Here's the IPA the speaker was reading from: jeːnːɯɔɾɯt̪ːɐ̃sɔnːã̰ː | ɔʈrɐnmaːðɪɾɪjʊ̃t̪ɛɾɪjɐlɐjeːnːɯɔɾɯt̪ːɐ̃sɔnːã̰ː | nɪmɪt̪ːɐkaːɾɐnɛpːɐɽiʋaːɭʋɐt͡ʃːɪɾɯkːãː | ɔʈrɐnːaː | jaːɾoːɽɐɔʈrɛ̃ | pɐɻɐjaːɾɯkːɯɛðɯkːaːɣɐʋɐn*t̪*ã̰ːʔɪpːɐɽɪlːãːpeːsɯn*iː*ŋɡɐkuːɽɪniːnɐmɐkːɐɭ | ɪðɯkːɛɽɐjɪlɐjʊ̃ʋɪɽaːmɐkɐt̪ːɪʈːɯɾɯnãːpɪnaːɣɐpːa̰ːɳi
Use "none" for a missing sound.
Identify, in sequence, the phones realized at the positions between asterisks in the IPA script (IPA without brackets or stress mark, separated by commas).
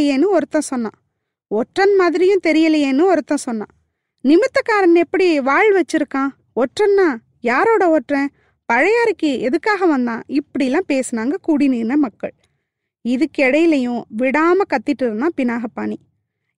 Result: d̪, aː